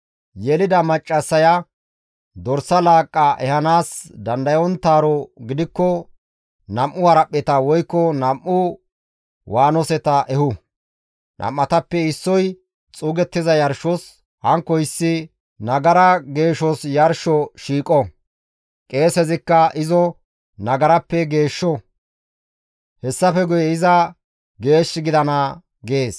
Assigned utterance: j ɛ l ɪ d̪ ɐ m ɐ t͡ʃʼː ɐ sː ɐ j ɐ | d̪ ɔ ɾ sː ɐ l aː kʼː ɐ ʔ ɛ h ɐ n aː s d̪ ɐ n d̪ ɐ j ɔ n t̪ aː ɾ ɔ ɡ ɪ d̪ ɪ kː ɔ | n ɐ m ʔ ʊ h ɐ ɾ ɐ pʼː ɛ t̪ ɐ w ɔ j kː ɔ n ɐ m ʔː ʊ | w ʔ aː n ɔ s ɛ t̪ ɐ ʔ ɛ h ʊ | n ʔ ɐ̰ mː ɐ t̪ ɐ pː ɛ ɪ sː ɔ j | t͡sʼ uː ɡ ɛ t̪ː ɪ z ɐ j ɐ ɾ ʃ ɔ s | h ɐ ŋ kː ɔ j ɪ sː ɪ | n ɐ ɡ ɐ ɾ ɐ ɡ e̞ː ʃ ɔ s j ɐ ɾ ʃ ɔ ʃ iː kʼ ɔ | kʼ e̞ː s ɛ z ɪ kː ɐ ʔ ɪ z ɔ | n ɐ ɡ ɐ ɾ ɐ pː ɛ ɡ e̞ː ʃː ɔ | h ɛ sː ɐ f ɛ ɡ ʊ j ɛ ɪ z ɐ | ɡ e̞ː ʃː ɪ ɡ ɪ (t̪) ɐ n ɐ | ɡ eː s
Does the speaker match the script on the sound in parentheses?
no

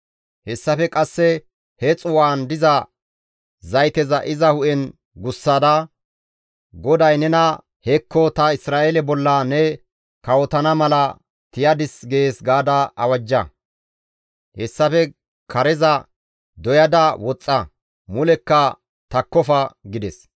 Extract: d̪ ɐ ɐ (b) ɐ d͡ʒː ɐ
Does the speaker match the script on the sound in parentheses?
no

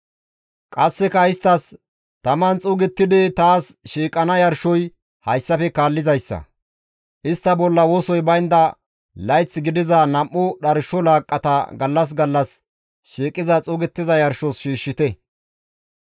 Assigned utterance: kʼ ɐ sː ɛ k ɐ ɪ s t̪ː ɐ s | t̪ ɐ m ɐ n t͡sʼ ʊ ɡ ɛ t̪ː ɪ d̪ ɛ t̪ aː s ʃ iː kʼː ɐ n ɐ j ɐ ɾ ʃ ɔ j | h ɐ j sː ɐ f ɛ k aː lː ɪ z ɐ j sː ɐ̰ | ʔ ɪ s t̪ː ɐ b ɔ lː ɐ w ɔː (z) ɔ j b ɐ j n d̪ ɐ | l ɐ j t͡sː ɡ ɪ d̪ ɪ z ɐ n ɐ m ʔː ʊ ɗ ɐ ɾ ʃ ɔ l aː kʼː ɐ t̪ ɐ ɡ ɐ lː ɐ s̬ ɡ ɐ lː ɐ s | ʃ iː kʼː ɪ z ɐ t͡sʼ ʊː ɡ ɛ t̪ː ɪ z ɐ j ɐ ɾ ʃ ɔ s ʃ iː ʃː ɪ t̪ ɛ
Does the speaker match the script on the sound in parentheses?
no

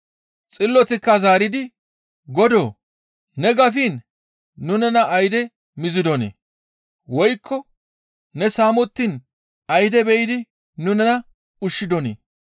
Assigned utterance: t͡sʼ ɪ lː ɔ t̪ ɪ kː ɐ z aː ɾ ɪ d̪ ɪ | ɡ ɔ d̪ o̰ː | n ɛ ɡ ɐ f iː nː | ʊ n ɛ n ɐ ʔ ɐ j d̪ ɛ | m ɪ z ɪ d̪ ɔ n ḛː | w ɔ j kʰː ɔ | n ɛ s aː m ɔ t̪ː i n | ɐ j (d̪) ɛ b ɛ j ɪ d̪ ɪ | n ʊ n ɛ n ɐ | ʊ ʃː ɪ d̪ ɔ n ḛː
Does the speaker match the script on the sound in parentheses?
yes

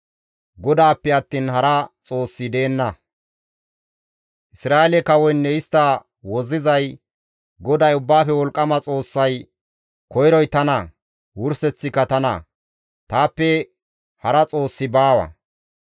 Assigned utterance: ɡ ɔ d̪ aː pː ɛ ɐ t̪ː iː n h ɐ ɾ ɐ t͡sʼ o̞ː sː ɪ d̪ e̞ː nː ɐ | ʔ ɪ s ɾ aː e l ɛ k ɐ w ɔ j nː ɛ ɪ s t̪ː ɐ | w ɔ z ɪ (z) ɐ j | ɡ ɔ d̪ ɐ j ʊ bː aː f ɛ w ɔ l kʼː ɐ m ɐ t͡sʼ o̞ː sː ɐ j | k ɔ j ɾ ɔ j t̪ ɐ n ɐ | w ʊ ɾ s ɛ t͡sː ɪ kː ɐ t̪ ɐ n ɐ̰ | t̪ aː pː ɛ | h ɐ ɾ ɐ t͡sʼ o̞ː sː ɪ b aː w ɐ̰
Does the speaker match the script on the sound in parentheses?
yes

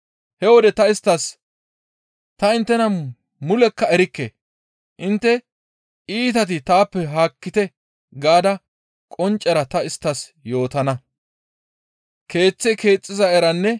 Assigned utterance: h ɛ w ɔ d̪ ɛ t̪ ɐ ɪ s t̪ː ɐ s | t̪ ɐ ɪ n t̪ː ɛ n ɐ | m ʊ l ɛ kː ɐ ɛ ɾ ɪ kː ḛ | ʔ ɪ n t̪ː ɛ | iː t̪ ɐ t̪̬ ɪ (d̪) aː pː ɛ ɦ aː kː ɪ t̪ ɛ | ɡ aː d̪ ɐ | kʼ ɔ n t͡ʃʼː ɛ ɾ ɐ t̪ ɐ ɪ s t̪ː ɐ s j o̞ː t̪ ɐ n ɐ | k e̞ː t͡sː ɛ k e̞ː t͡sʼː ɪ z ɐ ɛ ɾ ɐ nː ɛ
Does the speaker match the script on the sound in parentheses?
no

